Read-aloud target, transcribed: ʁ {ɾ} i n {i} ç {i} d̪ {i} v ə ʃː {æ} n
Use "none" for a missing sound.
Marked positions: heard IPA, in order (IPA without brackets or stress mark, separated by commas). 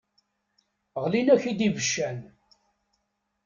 l, æ, i, i, æ